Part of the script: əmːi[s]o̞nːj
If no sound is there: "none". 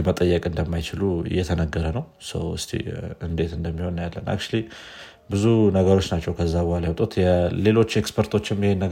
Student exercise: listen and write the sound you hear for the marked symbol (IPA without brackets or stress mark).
h